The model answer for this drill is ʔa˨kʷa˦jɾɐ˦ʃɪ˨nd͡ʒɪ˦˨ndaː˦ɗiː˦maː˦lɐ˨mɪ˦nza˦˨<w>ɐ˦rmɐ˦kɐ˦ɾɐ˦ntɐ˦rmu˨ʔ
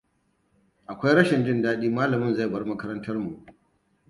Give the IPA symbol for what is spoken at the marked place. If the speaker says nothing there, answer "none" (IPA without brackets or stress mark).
b